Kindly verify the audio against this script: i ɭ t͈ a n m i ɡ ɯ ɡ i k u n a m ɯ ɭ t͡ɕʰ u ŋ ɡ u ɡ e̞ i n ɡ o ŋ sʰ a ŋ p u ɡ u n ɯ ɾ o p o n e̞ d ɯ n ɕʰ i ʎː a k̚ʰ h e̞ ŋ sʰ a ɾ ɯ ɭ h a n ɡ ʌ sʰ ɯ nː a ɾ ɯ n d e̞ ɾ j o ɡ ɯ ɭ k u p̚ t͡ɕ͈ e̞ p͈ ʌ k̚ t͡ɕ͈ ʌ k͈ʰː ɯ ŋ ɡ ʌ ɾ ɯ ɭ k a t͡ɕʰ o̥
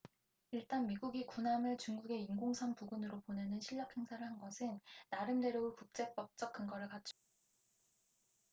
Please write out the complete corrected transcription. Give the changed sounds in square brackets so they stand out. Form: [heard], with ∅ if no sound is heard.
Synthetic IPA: i ɭ t͈ a n m i ɡ [u] ɡ i k u n a m ɯ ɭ [t͡ɕ] u ŋ ɡ u ɡ e̞ i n ɡ o ŋ sʰ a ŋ p u ɡ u n ɯ ɾ o p o n e̞ [n] ɯ n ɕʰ i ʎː [ʌ] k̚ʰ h e̞ ŋ sʰ a ɾ ɯ ɭ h a n ɡ ʌ sʰ ɯ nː a ɾ ɯ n d e̞ ɾ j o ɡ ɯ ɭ k u [k̚] t͡ɕ͈ e̞ p͈ ʌ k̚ t͡ɕ͈ ʌ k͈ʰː ɯ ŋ ɡ ʌ ɾ ɯ ɭ k a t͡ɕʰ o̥